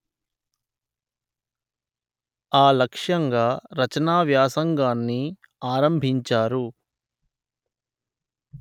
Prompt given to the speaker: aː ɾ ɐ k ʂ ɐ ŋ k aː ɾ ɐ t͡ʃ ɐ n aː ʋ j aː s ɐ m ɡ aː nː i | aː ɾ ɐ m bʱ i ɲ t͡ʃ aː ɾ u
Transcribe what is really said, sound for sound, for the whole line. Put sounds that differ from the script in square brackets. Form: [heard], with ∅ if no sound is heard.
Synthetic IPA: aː [l] ɐ k ʂ ɐ ŋ [ɡ] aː ɾ ɐ t͡ʃ ɐ n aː ʋ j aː s ɐ [ŋ] ɡ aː nː i | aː ɾ ɐ m bʱ i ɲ t͡ʃ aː ɾ u